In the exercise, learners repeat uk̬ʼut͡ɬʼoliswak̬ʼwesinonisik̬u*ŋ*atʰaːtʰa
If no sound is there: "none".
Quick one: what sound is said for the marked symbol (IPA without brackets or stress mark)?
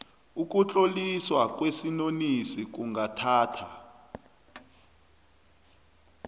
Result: ŋ